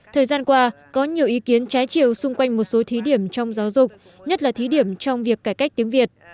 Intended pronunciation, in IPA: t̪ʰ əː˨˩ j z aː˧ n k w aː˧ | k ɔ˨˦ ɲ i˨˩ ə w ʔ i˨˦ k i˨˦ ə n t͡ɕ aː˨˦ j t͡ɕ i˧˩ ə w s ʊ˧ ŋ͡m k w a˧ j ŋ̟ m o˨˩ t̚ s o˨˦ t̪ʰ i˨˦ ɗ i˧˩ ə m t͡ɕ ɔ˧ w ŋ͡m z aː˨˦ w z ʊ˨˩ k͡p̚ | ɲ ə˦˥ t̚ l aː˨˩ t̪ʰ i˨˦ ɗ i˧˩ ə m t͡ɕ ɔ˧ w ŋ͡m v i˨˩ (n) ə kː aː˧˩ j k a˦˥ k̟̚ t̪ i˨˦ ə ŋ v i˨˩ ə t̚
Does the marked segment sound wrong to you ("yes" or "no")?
yes